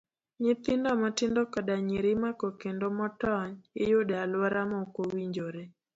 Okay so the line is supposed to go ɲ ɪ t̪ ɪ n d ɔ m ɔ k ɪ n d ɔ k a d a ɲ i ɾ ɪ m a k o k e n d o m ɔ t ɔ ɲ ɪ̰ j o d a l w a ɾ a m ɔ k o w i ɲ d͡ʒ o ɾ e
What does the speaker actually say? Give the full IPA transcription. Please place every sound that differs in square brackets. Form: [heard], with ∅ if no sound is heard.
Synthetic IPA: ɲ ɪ t̪ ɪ n d ɔ m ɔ [t] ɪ n d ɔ k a d a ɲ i ɾ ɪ m a k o k e n d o m ɔ t ɔ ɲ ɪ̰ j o d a l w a ɾ a m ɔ k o w i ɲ d͡ʒ o ɾ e